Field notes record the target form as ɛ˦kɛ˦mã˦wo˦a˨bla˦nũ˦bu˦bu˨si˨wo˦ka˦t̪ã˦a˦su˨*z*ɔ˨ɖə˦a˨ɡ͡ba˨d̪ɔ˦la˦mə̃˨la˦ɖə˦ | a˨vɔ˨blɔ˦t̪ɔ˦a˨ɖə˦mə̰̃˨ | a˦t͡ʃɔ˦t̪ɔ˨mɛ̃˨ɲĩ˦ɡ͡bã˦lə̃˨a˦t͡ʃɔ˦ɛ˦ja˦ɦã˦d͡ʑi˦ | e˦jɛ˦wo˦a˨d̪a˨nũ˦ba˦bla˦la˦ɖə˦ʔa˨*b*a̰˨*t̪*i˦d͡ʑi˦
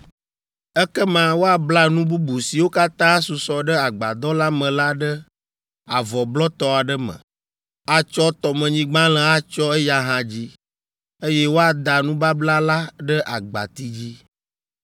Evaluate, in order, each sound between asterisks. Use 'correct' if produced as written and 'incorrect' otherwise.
incorrect: s, incorrect: ɡ͡b, correct

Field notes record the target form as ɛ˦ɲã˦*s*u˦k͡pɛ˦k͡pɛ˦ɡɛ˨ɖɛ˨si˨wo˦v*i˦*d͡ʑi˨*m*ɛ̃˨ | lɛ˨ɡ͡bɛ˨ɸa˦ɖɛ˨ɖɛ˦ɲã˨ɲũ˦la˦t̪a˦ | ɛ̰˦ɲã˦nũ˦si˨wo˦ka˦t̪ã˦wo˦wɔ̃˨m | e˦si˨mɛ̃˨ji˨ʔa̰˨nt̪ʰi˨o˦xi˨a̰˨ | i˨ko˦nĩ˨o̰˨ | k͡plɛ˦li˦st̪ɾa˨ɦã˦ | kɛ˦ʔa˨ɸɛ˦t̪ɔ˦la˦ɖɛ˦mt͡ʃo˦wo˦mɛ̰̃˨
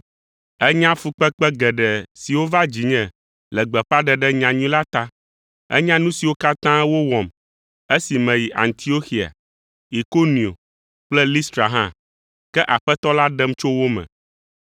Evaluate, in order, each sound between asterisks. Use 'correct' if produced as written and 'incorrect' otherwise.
incorrect: f, incorrect: a˦, incorrect: ɲ

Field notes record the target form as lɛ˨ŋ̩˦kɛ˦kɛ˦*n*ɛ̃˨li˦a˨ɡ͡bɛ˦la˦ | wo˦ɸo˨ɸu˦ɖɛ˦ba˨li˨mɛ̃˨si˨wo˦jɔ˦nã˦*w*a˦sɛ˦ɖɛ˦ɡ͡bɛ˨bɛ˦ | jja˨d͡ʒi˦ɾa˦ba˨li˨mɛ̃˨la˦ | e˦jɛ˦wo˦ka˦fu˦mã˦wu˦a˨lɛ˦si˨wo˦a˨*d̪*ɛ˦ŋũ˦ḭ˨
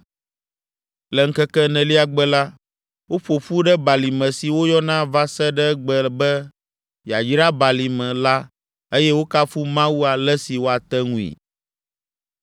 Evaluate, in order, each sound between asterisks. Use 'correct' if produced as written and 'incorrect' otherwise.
correct, incorrect: v, incorrect: t̪

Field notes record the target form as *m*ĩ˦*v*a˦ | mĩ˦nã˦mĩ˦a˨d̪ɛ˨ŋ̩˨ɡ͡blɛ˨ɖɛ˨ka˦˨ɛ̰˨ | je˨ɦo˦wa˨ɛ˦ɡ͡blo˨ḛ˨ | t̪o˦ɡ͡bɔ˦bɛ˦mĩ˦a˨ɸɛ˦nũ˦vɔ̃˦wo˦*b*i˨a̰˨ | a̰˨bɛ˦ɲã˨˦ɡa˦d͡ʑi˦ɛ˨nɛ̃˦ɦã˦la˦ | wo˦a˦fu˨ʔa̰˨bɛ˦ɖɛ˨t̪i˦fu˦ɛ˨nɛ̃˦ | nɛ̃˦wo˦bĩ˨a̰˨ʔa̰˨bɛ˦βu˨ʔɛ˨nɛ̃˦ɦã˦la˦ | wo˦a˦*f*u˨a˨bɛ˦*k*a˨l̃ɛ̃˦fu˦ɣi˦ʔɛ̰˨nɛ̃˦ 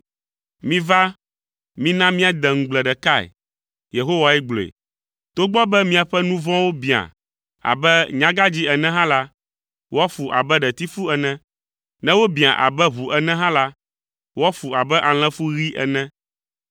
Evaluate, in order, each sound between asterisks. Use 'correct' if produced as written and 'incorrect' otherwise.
correct, correct, correct, correct, incorrect: ʔ

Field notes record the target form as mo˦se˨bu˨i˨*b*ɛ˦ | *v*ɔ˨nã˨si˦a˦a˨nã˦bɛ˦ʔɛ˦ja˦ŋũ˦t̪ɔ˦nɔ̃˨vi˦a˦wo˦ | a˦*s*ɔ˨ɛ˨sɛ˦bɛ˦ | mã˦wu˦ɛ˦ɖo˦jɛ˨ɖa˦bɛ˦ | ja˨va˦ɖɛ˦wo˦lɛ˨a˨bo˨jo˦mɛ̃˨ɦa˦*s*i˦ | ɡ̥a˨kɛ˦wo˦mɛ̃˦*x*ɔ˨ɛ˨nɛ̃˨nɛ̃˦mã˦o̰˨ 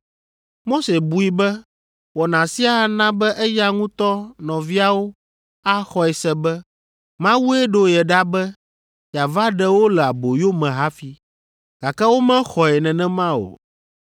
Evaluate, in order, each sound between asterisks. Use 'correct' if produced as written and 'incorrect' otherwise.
correct, incorrect: w, incorrect: x, incorrect: f, correct

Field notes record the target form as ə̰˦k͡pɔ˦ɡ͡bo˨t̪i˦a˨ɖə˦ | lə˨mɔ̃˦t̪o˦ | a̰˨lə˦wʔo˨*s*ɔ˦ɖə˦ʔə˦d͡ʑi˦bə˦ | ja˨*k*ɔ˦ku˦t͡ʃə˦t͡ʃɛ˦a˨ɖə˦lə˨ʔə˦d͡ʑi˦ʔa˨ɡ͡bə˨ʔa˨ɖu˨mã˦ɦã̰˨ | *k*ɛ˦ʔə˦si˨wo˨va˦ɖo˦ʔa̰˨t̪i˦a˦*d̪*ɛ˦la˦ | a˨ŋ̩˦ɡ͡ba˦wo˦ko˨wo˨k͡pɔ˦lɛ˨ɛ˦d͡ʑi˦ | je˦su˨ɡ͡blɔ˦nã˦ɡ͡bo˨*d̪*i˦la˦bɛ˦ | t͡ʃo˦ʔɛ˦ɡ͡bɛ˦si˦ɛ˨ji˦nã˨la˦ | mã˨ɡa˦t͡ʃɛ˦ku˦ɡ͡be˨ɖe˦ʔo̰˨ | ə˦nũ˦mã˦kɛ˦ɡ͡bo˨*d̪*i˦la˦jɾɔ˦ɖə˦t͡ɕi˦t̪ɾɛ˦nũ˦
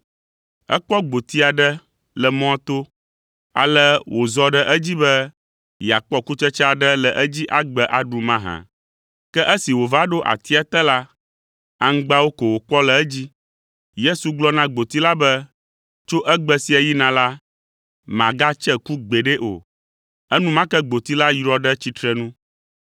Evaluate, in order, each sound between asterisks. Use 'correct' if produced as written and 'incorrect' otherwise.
incorrect: z, incorrect: k͡p, correct, incorrect: t̪, incorrect: t̪, incorrect: t̪

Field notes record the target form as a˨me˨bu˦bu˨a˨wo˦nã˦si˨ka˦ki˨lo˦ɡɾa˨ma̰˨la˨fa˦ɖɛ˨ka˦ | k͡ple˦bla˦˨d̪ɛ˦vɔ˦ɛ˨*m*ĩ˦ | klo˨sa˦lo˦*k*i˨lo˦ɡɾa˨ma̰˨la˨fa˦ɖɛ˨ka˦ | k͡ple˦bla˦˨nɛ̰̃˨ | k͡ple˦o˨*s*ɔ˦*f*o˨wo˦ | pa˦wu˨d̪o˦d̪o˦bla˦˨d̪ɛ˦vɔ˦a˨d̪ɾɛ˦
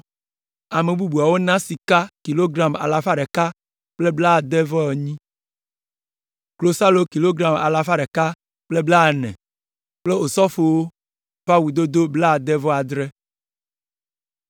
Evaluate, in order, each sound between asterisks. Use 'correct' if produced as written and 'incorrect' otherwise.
incorrect: ɲ, correct, correct, correct

